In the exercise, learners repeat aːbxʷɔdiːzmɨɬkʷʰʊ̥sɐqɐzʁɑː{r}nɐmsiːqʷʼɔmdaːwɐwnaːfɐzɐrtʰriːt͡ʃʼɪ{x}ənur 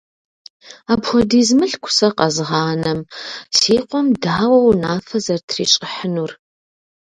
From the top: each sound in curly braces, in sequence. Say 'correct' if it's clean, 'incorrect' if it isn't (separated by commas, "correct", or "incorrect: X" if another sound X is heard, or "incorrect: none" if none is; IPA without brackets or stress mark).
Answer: incorrect: none, incorrect: ħ